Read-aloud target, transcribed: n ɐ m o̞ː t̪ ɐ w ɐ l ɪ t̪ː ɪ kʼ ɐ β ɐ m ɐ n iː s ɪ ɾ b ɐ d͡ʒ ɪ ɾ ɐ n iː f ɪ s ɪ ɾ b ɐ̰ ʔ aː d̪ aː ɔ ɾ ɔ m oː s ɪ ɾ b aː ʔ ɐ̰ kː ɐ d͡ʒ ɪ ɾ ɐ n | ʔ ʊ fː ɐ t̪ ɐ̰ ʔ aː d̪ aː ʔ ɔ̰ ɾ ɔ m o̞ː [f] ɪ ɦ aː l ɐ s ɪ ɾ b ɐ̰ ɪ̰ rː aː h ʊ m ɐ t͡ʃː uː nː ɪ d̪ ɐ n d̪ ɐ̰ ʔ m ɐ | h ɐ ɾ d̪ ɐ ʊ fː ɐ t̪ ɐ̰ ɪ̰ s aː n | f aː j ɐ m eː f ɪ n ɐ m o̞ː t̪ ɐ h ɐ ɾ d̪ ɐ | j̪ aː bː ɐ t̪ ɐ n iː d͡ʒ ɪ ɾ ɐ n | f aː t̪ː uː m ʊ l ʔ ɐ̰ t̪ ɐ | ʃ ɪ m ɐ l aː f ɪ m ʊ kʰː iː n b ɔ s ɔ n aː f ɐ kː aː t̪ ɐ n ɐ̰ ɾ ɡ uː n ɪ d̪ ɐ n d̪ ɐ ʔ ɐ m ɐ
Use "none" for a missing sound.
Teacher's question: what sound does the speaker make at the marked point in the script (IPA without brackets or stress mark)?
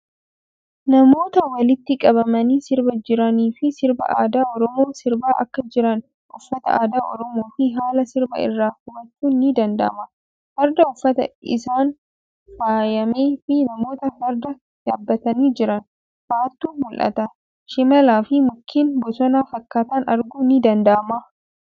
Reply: f